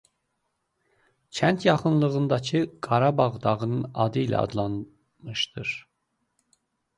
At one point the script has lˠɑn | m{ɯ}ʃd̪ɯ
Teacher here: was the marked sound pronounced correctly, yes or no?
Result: yes